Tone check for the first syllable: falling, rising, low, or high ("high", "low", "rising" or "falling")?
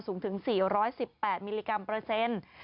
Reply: rising